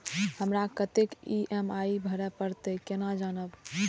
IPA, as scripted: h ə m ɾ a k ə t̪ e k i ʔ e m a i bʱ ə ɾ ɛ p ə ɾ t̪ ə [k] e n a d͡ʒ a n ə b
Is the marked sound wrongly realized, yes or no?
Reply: no